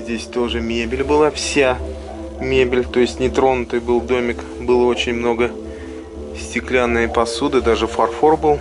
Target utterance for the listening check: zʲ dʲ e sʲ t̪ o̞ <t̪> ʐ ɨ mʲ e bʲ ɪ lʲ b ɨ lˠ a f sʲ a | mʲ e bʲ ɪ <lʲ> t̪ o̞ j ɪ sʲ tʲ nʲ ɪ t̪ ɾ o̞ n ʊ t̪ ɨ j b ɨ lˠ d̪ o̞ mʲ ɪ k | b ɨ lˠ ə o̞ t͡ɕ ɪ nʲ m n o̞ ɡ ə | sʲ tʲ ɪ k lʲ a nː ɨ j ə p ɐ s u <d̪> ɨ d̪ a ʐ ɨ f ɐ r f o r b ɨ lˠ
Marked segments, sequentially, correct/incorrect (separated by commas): incorrect, correct, correct